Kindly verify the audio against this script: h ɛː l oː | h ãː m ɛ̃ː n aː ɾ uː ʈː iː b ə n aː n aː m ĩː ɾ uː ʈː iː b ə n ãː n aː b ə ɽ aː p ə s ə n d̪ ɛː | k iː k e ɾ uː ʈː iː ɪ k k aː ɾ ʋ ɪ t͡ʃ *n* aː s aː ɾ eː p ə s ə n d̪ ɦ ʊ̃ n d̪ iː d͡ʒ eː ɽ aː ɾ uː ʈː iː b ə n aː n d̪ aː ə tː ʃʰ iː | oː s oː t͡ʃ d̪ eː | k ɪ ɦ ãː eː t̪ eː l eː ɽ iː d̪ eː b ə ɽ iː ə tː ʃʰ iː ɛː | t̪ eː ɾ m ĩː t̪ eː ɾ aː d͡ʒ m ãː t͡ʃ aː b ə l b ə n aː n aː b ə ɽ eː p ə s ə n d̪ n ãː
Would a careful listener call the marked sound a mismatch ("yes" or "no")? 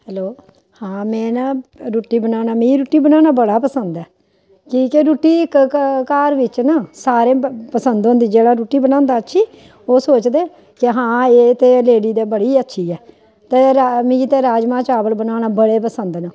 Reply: no